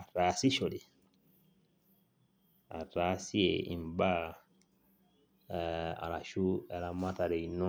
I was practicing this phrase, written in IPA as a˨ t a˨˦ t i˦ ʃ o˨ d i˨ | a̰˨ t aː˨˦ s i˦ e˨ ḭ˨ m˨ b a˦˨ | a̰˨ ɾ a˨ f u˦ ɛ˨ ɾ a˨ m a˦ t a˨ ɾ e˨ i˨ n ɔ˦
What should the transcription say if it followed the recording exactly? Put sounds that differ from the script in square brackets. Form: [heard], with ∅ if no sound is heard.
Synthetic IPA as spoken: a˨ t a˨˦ [s] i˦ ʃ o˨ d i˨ | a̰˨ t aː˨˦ s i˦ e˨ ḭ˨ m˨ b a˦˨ | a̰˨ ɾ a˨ [ʃ] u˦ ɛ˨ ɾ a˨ m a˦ t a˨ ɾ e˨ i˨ n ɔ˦